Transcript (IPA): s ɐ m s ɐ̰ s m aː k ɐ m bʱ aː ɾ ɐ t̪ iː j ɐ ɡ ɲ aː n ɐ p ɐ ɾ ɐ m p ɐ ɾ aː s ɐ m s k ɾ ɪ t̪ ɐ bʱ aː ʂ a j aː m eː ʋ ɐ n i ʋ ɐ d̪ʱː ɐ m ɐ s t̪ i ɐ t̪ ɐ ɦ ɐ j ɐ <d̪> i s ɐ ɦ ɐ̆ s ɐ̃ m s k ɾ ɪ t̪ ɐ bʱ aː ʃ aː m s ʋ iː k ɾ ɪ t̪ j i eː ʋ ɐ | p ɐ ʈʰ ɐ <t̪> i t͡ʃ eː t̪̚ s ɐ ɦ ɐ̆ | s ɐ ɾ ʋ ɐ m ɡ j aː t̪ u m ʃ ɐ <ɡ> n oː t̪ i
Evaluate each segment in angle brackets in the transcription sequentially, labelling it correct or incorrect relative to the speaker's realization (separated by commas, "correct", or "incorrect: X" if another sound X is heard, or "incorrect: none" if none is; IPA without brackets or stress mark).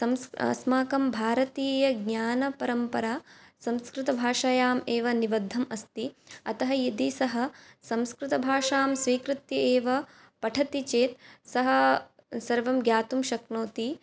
correct, correct, incorrect: k